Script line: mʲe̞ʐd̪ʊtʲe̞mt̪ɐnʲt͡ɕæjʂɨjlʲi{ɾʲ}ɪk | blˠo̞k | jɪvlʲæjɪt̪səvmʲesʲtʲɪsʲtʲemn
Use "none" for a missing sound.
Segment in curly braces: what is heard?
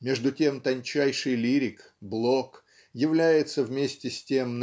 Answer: ɾʲ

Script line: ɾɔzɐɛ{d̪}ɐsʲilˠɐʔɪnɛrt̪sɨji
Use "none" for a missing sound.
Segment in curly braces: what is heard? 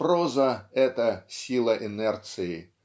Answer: t̪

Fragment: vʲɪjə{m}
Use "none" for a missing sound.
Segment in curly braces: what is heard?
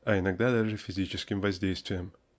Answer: m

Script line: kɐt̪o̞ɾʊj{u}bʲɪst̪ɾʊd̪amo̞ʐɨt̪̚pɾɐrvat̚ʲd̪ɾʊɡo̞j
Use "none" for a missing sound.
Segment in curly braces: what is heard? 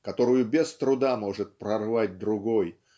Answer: ʊ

